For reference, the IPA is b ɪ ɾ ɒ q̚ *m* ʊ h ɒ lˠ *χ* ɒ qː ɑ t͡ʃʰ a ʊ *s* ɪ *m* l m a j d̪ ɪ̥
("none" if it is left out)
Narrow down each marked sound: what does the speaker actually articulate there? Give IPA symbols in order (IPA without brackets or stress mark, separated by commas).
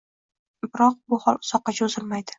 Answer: b, s, z, none